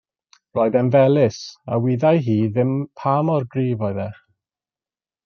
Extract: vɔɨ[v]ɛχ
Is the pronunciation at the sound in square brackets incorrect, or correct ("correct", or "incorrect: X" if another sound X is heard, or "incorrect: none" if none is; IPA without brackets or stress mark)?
incorrect: ð